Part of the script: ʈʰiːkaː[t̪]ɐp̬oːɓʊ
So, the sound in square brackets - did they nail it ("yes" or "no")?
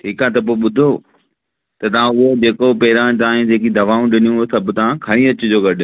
yes